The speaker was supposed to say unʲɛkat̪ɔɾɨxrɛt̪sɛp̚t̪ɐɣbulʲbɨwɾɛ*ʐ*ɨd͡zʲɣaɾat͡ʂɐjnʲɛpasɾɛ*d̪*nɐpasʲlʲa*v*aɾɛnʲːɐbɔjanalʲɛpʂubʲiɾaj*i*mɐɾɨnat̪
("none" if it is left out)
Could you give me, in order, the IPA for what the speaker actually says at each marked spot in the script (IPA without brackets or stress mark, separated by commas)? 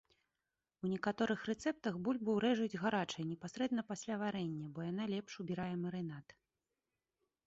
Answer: ʐ, d̪, v, ɛ